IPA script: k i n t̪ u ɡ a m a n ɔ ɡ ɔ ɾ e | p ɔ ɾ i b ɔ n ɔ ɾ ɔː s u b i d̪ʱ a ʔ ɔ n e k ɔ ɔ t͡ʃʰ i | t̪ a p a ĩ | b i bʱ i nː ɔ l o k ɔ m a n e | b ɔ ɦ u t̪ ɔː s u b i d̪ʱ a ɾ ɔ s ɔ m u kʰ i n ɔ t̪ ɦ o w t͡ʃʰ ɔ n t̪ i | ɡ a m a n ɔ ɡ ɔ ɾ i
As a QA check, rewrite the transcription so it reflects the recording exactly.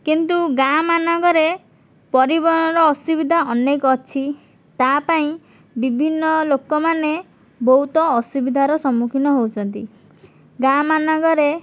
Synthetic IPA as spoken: k i n t̪ u ɡ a m a n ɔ ɡ ɔ ɾ e | p ɔ ɾ i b ɔ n ɔ ɾ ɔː s u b i d̪ʱ a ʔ ɔ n e k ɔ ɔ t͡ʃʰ i | t̪ a p a ĩ | b i bʱ i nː ɔ l o k ɔ m a n e | b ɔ ɦ u t̪ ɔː s u b i d̪ʱ a ɾ ɔ s ɔ m u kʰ i n ɔ ɦ o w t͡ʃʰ ɔ n t̪ i | ɡ a m a n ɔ ɡ ɔ ɾ e